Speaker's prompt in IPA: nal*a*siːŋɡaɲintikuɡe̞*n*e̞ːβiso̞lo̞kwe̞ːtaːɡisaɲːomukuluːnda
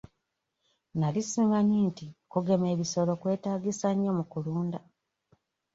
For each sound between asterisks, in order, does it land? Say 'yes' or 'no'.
no, no

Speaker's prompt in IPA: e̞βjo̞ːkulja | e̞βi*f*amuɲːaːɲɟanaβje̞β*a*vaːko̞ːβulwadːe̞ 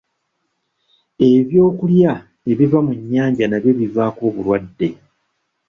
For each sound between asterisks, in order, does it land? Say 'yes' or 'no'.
no, no

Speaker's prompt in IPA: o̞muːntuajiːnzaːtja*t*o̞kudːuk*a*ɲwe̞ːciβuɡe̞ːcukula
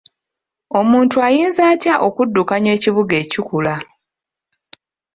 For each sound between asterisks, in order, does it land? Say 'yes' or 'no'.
no, yes

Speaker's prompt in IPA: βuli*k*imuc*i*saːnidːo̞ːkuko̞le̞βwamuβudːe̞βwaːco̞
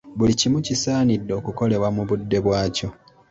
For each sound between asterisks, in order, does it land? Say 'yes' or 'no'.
no, yes

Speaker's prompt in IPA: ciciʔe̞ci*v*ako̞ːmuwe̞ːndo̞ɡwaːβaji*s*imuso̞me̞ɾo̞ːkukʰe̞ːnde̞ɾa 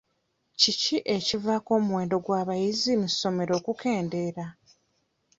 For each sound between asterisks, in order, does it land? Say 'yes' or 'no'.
yes, no

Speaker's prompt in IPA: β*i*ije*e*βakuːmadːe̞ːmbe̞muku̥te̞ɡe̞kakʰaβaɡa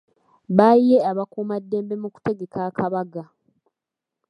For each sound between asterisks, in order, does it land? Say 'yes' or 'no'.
no, no

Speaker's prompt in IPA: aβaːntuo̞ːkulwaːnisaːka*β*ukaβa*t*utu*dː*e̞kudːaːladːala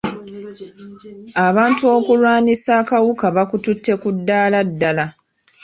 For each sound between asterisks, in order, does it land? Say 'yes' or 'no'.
no, no, no

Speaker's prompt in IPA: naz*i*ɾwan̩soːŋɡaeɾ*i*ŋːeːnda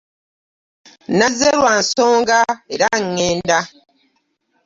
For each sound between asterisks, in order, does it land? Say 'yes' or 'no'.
no, no

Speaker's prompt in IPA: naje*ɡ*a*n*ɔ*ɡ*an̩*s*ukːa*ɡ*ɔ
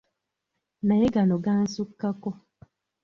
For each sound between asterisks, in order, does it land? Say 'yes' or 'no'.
yes, yes, yes, yes, no

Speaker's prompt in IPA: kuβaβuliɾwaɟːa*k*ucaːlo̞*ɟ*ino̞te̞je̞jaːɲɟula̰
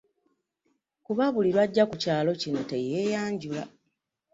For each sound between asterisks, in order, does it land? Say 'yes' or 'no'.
yes, no

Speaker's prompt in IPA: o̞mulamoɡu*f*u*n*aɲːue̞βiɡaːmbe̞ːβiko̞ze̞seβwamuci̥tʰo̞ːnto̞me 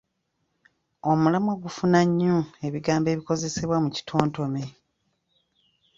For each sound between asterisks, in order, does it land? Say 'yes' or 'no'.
yes, yes

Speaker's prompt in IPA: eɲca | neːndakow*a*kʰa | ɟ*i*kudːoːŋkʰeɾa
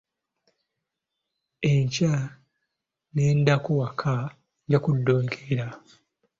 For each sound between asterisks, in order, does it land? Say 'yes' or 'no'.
yes, no

